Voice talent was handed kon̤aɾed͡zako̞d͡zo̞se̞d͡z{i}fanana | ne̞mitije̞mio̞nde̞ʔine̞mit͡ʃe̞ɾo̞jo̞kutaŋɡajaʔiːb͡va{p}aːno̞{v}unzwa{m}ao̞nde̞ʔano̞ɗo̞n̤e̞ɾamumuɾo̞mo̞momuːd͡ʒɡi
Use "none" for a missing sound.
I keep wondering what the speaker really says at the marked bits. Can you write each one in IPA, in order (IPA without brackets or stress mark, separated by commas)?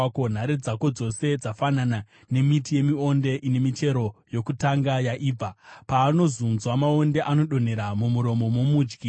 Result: a, p, z, m